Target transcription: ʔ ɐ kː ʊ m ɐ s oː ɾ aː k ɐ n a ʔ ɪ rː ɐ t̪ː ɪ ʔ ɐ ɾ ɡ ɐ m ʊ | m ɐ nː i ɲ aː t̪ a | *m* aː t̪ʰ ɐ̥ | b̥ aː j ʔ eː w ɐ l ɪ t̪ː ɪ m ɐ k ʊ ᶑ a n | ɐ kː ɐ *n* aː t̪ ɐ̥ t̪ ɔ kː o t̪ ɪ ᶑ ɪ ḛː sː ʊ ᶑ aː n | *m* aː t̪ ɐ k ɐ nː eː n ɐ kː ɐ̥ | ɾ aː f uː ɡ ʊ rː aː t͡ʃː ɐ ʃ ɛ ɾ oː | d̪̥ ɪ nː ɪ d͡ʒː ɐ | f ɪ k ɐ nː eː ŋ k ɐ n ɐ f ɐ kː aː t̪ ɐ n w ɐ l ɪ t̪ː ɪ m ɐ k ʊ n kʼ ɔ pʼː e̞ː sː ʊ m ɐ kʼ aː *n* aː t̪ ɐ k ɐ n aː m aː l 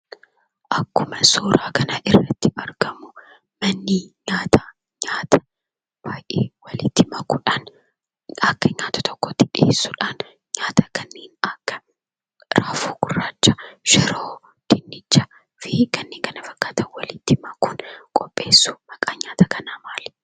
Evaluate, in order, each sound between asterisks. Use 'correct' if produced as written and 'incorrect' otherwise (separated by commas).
incorrect, incorrect, incorrect, incorrect